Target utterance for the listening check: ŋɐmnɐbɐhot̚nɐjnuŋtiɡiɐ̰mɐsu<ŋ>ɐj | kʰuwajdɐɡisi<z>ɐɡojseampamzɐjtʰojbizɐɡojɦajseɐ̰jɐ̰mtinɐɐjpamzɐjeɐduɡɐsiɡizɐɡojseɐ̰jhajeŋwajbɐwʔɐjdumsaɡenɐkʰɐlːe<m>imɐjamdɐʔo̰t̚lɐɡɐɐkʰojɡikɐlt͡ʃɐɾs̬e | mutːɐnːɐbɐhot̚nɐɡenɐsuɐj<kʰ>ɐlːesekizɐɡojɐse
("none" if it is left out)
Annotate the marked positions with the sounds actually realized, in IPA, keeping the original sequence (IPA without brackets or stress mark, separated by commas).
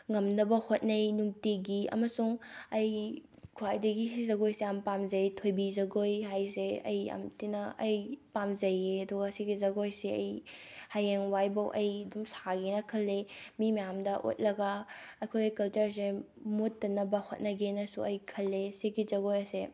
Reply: ŋ, z, m, kʰ